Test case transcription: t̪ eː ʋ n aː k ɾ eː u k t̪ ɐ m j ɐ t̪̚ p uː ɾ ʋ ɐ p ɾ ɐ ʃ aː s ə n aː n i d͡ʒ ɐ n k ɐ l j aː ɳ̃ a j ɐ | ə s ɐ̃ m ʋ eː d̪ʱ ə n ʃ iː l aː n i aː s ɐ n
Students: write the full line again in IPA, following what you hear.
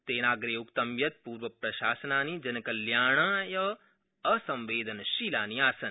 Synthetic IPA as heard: t̪ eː n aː ɡ ɾ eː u k t̪ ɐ m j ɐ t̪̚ p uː ɾ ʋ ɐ p ɾ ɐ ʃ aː s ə n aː n i d͡ʒ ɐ n k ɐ l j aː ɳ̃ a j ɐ | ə s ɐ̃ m ʋ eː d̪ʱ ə n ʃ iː l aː n i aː s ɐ n

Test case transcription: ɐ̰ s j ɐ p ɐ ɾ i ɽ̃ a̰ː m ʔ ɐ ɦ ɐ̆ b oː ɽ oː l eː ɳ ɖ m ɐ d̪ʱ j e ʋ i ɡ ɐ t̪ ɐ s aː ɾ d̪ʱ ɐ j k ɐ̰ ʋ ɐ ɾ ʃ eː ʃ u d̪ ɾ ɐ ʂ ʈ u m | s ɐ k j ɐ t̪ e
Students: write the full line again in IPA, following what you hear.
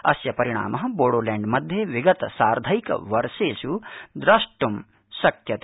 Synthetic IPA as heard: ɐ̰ s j ɐ p ɐ ɾ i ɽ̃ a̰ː m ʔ ɐ ɦ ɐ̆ b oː ɽ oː l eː ɳ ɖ m ɐ d̪ʱ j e ʋ i ɡ ɐ t̪ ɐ s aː ɾ d̪ʱ ɐ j k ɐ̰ ʋ ɐ ɾ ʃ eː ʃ u d̪ ɾ ɐ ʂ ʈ u m | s ɐ k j ɐ t̪ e

